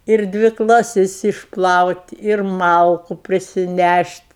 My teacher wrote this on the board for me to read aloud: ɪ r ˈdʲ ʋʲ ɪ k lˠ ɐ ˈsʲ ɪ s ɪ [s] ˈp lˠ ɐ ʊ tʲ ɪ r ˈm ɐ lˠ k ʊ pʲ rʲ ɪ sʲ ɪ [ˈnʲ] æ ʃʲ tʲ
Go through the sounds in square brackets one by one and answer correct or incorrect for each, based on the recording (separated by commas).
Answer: incorrect, correct